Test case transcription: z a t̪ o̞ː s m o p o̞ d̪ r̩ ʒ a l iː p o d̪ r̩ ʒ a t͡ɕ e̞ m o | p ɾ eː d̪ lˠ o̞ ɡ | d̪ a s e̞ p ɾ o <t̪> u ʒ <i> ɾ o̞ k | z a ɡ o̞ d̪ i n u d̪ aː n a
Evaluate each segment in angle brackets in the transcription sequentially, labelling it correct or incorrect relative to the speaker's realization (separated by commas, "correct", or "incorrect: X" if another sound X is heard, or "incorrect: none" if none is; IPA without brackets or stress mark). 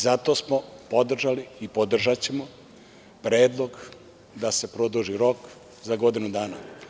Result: incorrect: d̪, correct